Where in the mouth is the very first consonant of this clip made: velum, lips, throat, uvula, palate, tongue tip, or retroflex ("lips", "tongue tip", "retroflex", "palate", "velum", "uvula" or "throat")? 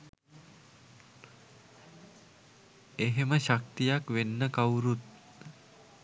throat